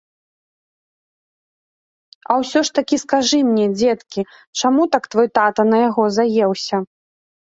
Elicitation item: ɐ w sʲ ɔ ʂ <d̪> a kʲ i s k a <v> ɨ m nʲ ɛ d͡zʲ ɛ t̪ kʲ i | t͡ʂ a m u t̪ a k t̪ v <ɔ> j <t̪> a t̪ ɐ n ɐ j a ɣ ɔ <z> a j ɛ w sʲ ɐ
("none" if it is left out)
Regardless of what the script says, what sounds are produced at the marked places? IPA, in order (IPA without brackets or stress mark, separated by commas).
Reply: t̪, ʐ, ɔ, t̪, z